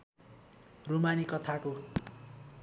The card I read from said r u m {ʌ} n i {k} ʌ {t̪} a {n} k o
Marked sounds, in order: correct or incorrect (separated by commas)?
incorrect, correct, incorrect, incorrect